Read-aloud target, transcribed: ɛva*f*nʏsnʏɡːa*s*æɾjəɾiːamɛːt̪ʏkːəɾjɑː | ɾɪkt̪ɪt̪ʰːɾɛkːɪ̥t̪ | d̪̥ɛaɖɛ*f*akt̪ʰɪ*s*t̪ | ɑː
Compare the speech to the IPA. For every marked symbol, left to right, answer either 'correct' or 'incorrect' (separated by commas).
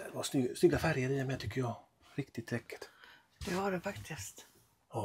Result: incorrect, incorrect, correct, correct